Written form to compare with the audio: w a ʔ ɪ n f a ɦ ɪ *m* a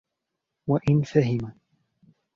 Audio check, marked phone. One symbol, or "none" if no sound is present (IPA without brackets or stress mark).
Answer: m